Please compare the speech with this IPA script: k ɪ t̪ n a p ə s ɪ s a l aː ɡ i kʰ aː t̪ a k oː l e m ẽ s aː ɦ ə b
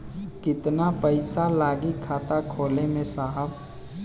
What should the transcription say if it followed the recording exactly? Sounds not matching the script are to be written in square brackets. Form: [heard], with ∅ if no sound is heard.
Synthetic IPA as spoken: k ɪ t̪ n a p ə [∅] ɪ s a l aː ɡ i kʰ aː t̪ a [kʰ] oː l e m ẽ s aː ɦ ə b

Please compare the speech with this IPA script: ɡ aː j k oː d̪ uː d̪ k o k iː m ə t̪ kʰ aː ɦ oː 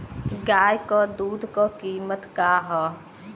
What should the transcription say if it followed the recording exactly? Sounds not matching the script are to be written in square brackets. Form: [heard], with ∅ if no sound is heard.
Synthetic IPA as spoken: ɡ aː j k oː d̪ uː d̪ k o k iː m ə t̪ [k] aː ɦ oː

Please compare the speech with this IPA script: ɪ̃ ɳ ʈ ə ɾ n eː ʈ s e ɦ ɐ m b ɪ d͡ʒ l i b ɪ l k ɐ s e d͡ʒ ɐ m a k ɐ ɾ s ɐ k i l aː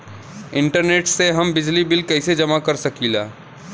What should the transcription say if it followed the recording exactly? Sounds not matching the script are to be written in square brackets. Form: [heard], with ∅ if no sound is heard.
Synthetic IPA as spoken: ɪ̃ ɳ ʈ ə ɾ n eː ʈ s e ɦ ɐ m b ɪ d͡ʒ l i b ɪ l k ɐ s e d͡ʒ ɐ m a k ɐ ɾ s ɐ k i l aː

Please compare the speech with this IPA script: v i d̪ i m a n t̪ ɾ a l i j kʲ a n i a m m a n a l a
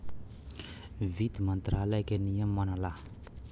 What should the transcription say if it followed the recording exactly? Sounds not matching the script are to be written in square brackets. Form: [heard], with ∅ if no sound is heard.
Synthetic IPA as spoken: v i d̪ i m a n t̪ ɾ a l [a] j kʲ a n i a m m a n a l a

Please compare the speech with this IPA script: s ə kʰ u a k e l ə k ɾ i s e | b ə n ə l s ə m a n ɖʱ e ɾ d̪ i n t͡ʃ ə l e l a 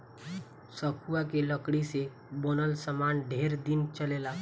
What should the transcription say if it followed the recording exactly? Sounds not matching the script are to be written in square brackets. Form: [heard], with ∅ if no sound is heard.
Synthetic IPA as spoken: s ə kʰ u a k e l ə k [ɽ] i s e | b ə n ə l s ə m a n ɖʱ e ɾ d̪ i n t͡ʃ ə l e l a

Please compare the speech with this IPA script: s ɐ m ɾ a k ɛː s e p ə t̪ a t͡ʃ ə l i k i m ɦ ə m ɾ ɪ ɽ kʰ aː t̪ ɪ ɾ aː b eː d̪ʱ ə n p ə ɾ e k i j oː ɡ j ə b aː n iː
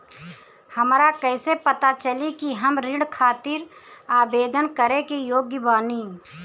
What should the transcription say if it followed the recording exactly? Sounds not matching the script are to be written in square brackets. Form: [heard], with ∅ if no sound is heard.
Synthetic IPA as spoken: [h] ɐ m ɾ a k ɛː s e p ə t̪ a t͡ʃ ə l i k i [∅] ɦ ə m ɾ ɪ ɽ kʰ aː t̪ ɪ ɾ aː b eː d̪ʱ ə n [k] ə ɾ e k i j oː ɡ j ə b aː n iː

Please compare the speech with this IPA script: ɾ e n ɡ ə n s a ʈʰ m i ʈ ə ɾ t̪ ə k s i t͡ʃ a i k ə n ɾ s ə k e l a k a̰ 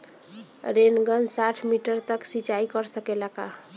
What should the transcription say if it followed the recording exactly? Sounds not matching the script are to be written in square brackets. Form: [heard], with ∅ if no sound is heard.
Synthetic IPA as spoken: ɾ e n ɡ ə n s a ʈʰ m i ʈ ə ɾ t̪ ə k s i t͡ʃ a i k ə [∅] ɾ s ə k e l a k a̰

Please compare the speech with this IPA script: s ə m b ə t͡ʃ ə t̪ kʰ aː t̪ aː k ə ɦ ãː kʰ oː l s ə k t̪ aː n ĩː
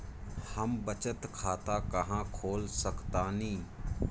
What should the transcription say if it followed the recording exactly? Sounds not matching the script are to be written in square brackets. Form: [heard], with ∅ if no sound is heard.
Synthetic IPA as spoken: [h] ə m b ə t͡ʃ ə t̪ kʰ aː t̪ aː k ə ɦ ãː kʰ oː l s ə k t̪ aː n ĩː

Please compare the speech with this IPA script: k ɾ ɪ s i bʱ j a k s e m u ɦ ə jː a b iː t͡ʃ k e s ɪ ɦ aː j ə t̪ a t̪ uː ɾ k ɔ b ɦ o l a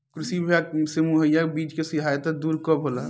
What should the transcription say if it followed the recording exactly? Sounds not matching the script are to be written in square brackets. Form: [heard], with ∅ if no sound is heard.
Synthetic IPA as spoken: k ɾ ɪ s i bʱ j a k s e m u ɦ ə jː a b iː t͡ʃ k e s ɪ ɦ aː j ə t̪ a [d̪] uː ɾ k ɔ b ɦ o l a

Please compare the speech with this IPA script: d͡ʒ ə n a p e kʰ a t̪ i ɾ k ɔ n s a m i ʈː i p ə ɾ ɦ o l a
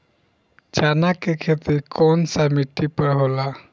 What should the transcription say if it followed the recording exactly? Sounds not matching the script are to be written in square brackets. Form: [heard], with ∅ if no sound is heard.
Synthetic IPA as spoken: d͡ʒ [a] n a [k] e kʰ [e] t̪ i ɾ k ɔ n s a m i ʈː i p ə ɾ ɦ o l a

